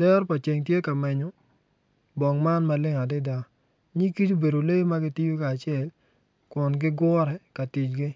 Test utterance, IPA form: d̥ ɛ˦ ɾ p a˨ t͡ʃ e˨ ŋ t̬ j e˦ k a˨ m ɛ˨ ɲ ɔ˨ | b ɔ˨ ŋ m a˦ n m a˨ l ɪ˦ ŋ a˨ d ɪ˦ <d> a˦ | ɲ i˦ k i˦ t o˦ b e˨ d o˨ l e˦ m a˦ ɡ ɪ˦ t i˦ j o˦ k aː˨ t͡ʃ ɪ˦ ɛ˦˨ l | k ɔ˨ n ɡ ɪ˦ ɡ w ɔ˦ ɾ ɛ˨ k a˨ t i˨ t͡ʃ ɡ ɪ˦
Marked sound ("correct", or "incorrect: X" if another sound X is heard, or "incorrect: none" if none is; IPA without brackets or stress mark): correct